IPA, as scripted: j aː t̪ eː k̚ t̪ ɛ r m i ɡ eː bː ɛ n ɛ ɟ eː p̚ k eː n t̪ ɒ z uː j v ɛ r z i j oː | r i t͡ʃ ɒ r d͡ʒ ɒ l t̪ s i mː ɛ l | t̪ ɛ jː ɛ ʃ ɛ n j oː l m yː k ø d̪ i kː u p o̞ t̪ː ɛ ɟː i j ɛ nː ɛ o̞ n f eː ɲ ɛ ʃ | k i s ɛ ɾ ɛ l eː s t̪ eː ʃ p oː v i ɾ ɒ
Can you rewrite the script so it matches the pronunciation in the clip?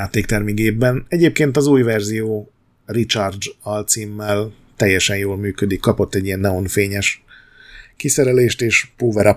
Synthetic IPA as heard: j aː t̪ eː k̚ t̪ ɛ r m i ɡ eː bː ɛ n ɛ ɟ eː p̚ k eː n t̪ ɒ z uː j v ɛ r z i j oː | r i t͡ʃ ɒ r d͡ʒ ɒ l t̪ s i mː ɛ l | t̪ ɛ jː ɛ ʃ ɛ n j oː l m yː k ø d̪ i kː ɒ p o̞ t̪ː ɛ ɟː i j ɛ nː ɛ o̞ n f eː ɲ ɛ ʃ | k i s ɛ ɾ ɛ l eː ʃ t̪ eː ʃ p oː v ɛ ɾ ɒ